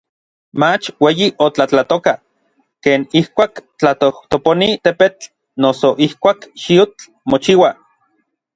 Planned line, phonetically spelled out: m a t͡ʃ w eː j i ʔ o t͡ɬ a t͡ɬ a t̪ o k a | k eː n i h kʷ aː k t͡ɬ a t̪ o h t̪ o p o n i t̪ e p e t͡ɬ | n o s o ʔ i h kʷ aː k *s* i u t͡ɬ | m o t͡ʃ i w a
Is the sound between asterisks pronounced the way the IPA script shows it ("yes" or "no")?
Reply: no